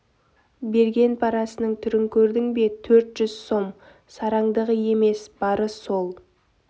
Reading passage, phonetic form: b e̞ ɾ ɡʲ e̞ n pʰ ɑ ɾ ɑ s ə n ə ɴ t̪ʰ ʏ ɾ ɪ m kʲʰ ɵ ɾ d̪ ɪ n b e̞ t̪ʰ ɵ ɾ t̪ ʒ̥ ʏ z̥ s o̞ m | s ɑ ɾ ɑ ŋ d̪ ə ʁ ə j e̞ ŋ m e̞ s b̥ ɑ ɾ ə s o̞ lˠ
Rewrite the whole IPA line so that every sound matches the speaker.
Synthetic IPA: b e̞ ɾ ɡʲ e̞ n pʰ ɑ ɾ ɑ s ə n ə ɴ t̪ʰ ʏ ɾ ɪ ŋ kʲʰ ɵ ɾ d̪ ɪ ŋ b e̞ t̪ʰ ɵ ɾ t̪ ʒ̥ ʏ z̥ s o̞ m | s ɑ ɾ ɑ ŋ d̪ ə ʁ ə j e̞ m e̞ s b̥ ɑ ɾ ə s o̞ lˠ